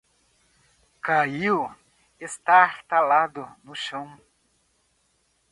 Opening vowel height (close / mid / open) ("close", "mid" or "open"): open